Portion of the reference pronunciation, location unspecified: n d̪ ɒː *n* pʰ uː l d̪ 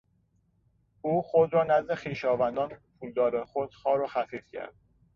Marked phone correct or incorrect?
correct